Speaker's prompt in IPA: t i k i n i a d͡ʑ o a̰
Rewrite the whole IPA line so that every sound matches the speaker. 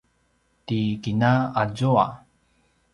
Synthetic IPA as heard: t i k i n a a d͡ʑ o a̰